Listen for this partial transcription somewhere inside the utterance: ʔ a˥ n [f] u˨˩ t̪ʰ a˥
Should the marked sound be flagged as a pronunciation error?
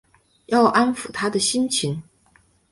no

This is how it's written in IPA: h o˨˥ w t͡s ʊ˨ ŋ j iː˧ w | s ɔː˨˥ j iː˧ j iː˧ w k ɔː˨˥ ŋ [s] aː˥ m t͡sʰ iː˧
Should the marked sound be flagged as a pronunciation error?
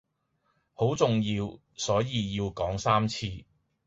no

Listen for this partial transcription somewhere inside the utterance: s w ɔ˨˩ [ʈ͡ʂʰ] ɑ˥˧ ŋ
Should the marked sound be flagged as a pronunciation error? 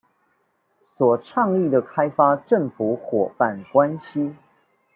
no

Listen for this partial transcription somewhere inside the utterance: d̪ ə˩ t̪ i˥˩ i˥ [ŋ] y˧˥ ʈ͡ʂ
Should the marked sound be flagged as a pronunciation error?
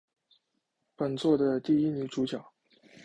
yes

